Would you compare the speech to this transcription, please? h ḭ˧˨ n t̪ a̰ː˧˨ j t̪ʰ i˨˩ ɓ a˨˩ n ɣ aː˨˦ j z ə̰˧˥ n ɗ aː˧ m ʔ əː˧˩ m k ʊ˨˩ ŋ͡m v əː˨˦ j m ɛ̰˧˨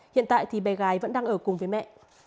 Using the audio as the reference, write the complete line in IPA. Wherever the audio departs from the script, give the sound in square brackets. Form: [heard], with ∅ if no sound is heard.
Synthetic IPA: h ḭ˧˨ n t̪ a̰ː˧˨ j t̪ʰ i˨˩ ɓ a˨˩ [∅] ɣ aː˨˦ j [v] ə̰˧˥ n ɗ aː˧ [ŋ] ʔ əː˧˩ [∅] k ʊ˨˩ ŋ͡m v əː˨˦ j m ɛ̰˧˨